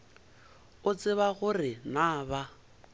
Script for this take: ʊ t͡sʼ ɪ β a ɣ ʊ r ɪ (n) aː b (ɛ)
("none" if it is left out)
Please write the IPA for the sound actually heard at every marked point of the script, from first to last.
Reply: n, a

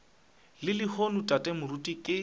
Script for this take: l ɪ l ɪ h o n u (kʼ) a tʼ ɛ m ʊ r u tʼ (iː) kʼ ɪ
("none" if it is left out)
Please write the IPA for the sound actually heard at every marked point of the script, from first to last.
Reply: tʼ, i

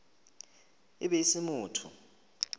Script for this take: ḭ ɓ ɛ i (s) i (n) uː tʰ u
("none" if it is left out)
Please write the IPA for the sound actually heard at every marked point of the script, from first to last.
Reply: s, m

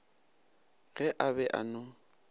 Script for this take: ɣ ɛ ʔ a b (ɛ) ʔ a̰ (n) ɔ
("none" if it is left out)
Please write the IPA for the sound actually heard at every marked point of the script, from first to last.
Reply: ɛ, n

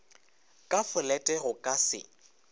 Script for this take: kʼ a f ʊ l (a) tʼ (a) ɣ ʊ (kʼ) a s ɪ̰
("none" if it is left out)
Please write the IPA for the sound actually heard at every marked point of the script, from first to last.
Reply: ɛ, ɛ, kʼ

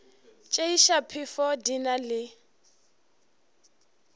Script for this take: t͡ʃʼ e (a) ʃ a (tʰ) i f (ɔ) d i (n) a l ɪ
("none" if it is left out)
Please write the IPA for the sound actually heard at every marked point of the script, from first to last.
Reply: i, pʰ, ɔ, n

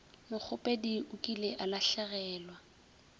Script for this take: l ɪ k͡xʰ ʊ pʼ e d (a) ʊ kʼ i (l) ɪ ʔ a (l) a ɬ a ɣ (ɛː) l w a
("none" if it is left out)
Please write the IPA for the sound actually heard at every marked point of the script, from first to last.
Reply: i, l, l, ɛː

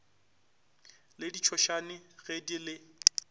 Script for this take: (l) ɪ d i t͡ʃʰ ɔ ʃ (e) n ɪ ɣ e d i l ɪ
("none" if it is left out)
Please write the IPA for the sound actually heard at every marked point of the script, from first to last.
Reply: l, a

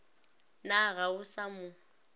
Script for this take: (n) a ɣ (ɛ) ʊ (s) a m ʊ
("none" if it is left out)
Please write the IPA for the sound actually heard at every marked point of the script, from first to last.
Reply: n, a, s

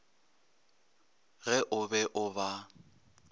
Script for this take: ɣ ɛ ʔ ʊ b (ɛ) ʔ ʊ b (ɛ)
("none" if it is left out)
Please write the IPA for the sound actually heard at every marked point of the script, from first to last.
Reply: ɛ, a

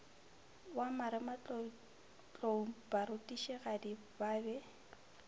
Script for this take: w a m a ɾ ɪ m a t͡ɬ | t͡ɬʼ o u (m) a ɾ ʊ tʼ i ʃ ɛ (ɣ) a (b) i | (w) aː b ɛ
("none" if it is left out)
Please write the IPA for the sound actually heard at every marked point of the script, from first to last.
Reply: b, ɣ, d, b

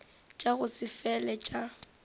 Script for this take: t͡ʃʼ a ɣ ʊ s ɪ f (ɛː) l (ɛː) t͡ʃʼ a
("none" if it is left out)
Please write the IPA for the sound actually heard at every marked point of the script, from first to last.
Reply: ɛ, ɛ

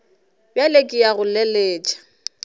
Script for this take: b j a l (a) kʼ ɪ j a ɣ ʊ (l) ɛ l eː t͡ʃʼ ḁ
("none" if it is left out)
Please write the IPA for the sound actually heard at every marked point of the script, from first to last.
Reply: e, l

